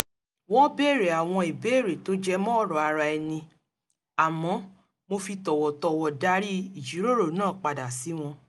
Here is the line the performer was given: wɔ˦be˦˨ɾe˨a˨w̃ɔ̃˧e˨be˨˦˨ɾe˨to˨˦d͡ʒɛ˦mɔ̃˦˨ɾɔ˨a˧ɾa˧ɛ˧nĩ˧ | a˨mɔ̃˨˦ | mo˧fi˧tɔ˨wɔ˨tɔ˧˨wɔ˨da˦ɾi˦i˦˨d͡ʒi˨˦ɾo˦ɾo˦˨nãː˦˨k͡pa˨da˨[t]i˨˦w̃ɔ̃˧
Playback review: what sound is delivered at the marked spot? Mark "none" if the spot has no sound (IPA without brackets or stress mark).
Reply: s